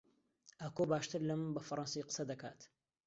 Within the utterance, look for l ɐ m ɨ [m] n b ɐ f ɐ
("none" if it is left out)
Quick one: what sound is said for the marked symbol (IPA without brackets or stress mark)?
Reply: none